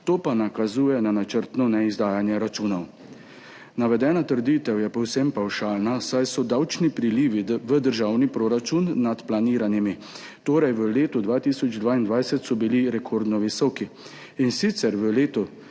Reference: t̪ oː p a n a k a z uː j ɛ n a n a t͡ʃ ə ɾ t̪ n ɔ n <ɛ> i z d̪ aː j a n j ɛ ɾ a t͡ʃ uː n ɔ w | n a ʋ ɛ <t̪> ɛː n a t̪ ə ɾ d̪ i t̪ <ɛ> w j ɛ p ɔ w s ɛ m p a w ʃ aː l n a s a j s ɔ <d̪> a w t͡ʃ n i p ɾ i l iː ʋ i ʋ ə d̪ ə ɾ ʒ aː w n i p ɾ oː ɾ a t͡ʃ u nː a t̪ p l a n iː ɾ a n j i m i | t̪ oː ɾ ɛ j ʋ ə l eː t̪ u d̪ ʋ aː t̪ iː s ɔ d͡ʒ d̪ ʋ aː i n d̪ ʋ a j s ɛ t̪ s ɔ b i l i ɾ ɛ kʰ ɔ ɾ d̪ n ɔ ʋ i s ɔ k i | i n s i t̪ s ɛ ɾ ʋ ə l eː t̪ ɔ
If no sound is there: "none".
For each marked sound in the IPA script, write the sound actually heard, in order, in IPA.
ɛ, d̪, ɛ, d̪

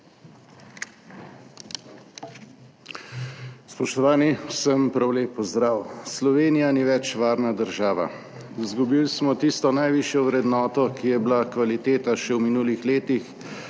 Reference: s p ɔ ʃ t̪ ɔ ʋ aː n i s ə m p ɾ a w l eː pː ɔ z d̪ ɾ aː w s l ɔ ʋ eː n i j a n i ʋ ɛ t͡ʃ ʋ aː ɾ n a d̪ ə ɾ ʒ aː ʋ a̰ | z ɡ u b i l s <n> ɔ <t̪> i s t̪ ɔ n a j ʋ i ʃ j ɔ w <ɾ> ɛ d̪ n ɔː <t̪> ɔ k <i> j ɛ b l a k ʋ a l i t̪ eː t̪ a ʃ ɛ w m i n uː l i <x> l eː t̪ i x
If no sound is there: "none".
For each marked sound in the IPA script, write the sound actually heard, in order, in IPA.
m, t̪, ɾ, t̪, i, x

